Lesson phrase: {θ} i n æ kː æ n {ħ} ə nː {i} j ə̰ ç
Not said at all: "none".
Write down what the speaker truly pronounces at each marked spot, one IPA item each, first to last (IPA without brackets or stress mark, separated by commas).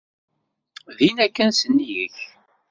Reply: ð, s, i